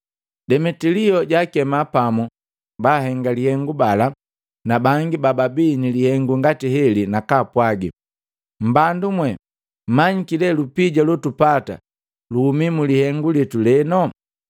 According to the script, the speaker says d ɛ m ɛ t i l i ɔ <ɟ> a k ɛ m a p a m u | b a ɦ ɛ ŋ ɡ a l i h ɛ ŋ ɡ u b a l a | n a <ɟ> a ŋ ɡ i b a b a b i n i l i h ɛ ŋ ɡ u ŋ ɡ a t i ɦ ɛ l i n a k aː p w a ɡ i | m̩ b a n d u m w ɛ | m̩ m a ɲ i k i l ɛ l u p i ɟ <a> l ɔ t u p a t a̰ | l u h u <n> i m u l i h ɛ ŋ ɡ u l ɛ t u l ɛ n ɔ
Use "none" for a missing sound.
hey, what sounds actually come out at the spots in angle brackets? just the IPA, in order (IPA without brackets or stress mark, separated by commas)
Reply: ɟ, b, a, m